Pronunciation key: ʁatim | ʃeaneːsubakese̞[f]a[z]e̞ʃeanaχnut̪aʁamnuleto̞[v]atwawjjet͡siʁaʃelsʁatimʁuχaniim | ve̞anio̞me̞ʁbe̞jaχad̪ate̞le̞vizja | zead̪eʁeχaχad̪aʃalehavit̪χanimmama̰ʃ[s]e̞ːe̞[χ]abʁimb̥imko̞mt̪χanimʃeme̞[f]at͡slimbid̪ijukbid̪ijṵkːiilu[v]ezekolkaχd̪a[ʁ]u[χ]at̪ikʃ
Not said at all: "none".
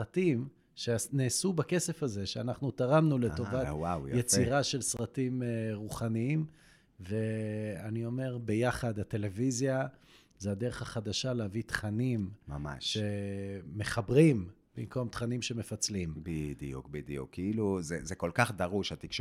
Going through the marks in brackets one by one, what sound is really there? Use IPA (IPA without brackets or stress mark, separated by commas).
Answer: f, z, v, ʃ, χ, f, z, ʁ, ʃ